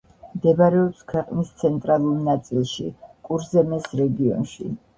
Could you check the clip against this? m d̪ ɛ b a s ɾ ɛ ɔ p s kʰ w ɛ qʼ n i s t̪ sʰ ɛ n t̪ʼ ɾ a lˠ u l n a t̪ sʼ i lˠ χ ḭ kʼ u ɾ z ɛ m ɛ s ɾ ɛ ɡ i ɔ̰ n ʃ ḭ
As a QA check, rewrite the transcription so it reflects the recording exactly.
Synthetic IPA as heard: m d̪ ɛ b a ɾ ɛ ɔ p s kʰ w ɛ qʼ n i s t̪ sʰ ɛ n t̪ʼ ɾ a lˠ u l n a t̪ sʼ i lˠ ʃ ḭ kʼ u ɾ z ɛ m ɛ s ɾ ɛ ɡ i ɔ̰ n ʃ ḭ